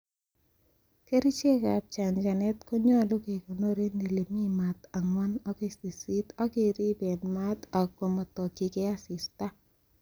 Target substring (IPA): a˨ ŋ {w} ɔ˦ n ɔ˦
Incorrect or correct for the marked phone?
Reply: correct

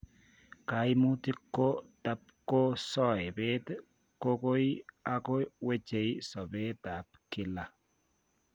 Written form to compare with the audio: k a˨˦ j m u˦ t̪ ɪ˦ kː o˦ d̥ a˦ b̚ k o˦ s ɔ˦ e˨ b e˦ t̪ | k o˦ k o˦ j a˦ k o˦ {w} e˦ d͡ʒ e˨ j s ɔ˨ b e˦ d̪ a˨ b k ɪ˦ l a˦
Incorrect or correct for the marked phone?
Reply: correct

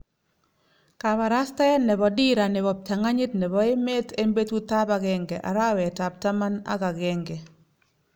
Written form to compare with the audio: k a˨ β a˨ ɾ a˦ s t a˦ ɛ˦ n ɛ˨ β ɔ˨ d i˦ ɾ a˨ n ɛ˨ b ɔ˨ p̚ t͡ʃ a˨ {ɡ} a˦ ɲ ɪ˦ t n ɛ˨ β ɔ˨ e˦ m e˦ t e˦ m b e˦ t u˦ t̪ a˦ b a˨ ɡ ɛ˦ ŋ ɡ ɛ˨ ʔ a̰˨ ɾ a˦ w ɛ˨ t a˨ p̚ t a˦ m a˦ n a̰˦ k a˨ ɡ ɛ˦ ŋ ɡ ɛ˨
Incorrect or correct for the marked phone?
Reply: incorrect: ŋ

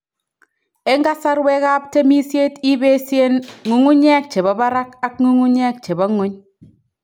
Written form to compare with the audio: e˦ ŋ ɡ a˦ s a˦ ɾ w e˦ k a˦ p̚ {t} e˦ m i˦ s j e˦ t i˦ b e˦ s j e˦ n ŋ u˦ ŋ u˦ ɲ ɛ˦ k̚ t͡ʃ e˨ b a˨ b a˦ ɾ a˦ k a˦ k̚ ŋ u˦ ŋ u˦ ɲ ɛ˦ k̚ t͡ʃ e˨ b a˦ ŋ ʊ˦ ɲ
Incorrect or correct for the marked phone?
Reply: correct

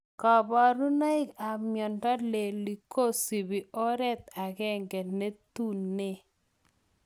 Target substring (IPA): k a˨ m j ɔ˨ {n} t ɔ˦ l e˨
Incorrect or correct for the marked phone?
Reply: correct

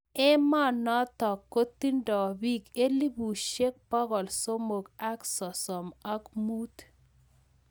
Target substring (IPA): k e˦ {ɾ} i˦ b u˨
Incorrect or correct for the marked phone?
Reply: incorrect: l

